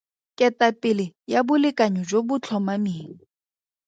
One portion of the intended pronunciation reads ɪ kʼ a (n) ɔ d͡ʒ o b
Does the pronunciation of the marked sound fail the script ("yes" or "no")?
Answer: yes